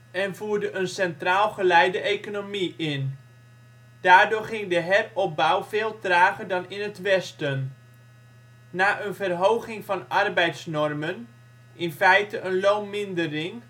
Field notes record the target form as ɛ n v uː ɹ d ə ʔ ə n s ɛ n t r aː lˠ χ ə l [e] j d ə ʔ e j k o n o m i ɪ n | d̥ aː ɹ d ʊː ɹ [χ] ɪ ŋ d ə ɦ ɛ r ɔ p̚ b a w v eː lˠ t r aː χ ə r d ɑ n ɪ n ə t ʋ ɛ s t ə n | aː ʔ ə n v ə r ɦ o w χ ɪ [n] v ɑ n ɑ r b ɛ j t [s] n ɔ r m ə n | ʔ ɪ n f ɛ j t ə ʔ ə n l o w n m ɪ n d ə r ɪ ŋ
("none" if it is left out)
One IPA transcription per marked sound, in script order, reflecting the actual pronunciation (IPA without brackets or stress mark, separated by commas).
ɛ, χ, ŋ, s